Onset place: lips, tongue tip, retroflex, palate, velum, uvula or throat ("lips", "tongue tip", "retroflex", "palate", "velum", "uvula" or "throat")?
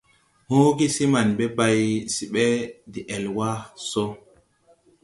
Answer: throat